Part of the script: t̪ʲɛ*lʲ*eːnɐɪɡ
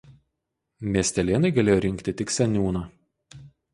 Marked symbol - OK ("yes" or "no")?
yes